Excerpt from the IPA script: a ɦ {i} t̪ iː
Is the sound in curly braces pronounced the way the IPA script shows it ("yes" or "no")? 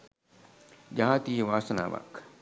no